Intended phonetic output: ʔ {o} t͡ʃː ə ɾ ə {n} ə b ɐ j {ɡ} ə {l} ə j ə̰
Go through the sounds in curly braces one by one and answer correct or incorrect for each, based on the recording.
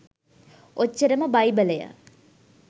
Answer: correct, incorrect: m, incorrect: b, correct

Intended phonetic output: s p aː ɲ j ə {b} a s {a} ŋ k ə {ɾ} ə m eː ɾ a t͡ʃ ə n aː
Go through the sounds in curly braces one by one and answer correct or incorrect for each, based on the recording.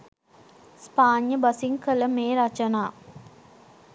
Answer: correct, incorrect: i, incorrect: l

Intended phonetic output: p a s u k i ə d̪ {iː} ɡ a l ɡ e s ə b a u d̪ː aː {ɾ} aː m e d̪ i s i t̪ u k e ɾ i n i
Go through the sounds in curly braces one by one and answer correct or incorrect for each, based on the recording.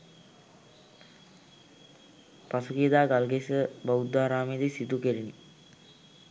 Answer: incorrect: aː, correct

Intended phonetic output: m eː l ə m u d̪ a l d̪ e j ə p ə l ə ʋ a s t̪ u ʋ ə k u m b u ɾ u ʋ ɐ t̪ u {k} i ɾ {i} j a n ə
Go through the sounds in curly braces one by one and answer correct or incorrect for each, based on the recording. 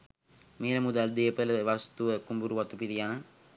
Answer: incorrect: p, correct

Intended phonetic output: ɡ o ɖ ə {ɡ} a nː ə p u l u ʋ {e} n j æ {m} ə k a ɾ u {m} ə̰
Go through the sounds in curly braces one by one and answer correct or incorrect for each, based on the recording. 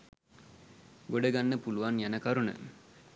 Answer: correct, incorrect: a, incorrect: n, incorrect: n

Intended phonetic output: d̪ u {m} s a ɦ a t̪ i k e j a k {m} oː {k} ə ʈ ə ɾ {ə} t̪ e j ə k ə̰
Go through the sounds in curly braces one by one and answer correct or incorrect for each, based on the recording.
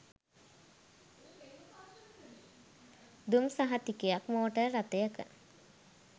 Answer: correct, correct, incorrect: none, incorrect: a

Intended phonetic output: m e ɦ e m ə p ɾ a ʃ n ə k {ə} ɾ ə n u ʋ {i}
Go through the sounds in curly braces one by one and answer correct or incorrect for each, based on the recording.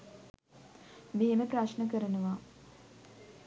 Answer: correct, incorrect: a

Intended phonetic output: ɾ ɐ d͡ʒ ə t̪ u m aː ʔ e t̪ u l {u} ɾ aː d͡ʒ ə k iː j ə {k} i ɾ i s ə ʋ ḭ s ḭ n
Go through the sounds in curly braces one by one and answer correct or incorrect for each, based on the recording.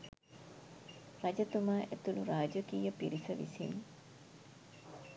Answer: correct, incorrect: p

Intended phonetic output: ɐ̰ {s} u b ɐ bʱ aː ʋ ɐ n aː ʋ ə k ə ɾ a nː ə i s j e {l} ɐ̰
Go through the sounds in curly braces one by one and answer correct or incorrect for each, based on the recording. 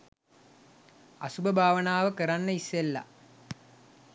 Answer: correct, incorrect: lː

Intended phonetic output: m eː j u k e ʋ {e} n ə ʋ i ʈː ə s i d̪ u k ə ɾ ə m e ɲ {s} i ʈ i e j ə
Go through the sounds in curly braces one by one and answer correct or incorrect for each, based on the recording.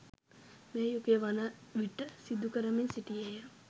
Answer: incorrect: a, correct

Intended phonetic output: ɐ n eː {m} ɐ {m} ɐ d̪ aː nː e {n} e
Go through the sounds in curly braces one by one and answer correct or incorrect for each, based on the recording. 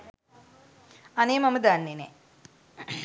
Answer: correct, correct, correct

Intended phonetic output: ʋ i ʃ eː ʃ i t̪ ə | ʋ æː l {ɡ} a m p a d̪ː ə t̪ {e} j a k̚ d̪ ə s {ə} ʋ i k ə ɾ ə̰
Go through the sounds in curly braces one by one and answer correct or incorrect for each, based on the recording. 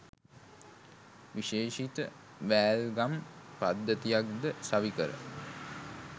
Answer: correct, incorrect: i, incorrect: a

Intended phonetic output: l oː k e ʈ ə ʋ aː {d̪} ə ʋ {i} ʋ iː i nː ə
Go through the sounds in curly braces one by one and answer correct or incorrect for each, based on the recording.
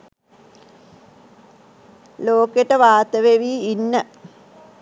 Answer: incorrect: t̪, incorrect: e

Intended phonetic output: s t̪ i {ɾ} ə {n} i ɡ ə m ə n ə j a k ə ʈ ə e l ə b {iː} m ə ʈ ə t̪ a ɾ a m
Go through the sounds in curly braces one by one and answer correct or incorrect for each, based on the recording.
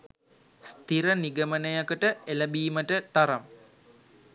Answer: correct, correct, correct

